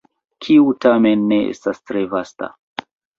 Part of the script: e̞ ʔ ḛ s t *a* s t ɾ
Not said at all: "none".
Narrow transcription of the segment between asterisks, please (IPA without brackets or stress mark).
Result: a